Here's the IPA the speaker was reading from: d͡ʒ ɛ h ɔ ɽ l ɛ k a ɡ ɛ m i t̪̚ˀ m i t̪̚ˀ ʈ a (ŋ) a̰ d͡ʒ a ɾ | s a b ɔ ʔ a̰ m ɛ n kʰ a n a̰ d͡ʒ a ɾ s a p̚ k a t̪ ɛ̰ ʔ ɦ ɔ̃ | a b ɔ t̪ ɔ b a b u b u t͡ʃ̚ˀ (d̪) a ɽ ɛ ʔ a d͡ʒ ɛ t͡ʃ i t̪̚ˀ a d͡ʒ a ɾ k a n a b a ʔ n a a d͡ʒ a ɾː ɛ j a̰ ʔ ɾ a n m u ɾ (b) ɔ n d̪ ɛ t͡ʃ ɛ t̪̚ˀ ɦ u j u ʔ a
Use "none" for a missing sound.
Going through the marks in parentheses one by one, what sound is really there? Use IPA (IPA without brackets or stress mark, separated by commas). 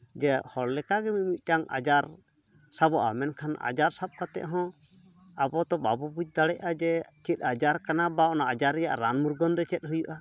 ŋ, d̪, ɡ